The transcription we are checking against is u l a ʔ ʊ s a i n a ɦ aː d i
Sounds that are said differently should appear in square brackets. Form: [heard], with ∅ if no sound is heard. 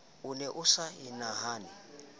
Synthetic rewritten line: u l [ɛ] ʔ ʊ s a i n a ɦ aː [n] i